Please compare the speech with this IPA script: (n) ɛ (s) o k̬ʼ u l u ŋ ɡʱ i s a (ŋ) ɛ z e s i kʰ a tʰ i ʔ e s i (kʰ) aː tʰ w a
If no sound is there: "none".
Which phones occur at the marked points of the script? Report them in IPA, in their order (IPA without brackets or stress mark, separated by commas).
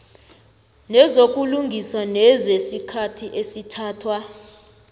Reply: n, z, n, tʰ